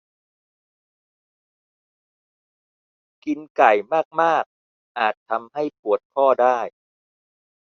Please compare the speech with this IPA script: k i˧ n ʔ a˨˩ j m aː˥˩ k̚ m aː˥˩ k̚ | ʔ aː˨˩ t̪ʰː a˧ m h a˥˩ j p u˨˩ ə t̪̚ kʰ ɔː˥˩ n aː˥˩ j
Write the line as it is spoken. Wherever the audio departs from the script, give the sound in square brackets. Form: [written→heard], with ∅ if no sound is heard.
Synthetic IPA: k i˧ n [ʔ→k] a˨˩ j m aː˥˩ k̚ m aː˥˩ k̚ | ʔ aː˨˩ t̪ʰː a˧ m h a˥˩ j p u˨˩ ə t̪̚ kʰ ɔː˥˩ [n→d] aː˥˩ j